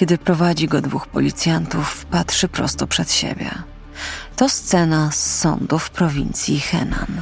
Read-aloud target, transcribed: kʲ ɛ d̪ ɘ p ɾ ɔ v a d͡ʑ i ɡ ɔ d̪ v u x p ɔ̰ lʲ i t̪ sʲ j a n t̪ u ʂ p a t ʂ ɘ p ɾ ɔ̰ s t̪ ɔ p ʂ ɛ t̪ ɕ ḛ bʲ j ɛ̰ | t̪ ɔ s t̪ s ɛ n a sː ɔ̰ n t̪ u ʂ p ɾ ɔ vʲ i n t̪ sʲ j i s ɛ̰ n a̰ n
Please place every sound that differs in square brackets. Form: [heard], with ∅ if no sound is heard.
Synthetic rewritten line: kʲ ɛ d̪ ɘ p ɾ ɔ v a d͡ʑ i ɡ ɔ d̪ v u x p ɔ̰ lʲ i t̪ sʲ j a n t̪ u [f] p a t ʂ ɘ p ɾ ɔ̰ s t̪ ɔ p ʂ ɛ t̪ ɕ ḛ bʲ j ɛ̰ | t̪ ɔ s t̪ s ɛ n a sː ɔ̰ n [d̪] u [f] p ɾ ɔ vʲ i n t̪ sʲ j i [x] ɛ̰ n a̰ n